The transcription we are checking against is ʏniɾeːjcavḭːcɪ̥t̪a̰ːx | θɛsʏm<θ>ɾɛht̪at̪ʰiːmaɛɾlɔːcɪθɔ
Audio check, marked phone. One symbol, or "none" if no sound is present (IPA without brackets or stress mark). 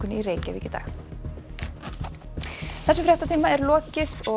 f